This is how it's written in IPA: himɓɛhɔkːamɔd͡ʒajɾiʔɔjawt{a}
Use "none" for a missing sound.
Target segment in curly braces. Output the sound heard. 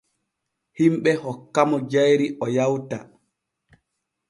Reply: a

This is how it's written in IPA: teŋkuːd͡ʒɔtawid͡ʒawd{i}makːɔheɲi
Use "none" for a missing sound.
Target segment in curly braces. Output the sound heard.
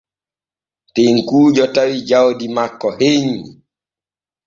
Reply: i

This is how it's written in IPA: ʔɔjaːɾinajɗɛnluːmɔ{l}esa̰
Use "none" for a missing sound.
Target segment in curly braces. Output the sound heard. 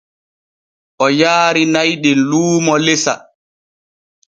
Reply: l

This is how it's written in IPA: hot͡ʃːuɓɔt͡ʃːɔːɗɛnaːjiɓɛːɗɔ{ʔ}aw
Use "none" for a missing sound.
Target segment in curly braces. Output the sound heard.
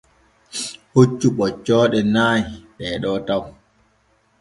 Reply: t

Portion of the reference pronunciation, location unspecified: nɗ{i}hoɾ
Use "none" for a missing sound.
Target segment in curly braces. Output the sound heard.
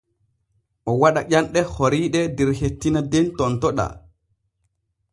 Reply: ɛ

